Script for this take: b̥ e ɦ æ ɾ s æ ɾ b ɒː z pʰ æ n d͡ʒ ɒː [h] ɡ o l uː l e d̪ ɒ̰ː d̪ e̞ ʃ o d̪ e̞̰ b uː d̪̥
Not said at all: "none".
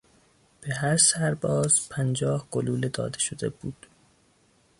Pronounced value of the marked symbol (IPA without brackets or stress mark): h